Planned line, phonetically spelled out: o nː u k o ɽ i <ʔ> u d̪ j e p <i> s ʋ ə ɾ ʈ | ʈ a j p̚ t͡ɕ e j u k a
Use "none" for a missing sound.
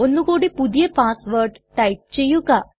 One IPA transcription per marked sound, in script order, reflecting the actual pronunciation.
p, a

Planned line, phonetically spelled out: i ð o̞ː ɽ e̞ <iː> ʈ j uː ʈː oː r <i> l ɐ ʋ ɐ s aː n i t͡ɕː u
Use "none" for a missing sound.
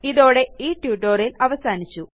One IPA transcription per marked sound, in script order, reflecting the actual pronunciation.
iː, i

